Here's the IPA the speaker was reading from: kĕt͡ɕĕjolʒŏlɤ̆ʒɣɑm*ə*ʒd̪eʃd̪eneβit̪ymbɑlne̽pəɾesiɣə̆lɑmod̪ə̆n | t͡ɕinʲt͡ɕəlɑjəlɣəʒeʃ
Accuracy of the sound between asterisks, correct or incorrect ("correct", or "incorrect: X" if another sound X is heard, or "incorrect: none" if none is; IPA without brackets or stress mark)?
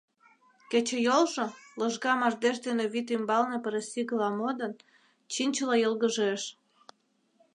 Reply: incorrect: ɑ